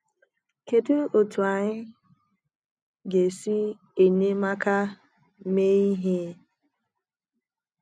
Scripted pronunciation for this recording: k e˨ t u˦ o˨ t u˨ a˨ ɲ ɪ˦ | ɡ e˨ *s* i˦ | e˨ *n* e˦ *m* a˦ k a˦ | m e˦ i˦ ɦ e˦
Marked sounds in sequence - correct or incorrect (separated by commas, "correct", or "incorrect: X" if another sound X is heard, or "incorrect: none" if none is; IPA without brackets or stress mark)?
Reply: correct, incorrect: ɲ, correct